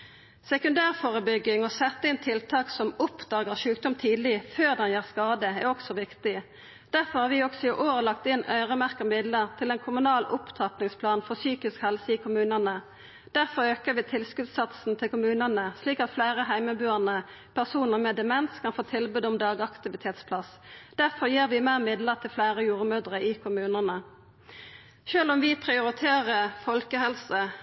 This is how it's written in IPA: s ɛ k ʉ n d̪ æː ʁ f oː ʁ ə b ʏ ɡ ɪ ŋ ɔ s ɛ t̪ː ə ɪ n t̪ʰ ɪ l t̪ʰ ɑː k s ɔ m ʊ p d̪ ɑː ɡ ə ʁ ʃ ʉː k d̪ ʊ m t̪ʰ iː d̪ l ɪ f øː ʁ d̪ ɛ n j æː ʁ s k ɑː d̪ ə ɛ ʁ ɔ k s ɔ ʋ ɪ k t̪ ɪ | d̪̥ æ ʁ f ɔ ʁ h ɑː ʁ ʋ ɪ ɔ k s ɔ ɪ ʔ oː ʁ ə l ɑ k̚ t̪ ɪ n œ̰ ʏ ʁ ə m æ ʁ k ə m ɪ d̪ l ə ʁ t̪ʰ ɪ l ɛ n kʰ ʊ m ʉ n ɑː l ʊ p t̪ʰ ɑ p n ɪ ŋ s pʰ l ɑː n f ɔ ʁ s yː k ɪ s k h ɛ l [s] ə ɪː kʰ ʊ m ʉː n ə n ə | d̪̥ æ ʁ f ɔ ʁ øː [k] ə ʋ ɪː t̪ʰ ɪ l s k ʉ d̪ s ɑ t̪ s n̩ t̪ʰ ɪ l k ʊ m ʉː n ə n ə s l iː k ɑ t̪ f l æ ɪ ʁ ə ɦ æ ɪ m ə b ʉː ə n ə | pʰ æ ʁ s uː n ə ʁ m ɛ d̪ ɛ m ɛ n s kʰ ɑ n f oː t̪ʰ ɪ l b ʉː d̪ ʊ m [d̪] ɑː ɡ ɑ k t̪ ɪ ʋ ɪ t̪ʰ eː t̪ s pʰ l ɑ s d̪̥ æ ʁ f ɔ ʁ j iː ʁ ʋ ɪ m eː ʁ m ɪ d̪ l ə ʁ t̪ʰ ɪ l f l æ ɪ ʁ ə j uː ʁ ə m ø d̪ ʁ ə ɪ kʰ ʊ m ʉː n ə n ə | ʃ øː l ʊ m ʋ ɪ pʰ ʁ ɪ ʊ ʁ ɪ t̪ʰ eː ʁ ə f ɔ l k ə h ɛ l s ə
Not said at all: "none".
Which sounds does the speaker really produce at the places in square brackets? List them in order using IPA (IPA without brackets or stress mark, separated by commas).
s, k, d̪